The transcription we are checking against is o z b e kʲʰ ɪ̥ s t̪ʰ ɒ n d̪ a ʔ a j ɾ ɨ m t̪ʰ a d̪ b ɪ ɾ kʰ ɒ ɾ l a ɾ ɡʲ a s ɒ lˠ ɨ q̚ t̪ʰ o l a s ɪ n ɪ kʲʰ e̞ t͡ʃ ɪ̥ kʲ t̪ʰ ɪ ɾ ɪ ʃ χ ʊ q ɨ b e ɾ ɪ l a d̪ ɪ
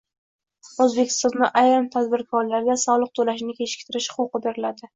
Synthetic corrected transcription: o z b e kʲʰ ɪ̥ s t̪ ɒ n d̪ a ʔ a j ɾ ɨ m t̪ʰ a d̪ b ɪ ɾ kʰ ɒ ɾ l a ɾ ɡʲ a s ɒ lˠ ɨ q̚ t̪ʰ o l a ʃ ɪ n ɪ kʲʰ e̞ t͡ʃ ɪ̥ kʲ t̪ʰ ɪ ɾ ɪ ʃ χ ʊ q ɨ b e ɾ ɪ l a d̪ ɪ